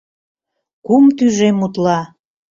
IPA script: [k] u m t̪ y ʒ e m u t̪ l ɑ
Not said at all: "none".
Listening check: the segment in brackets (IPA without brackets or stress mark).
k